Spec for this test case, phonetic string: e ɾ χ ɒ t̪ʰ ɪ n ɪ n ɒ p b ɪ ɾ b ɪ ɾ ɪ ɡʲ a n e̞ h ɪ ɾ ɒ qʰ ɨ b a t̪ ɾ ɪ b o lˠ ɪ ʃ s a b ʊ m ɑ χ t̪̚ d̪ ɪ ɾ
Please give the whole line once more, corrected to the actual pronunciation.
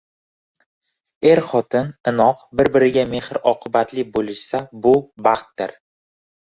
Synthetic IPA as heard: e ɾ χ ɒ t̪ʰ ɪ n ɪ n ɒ q b ɪ ɾ b ɪ ɾ ɪ ɡʲ a m e̞ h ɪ ɾ ɒ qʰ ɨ b a t̪ l ɪ b o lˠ ɪ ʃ s a b ʊ b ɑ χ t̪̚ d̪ ɪ ɾ